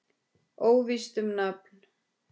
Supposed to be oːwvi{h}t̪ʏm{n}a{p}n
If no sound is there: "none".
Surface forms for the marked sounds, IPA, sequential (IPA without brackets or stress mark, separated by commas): s, n, p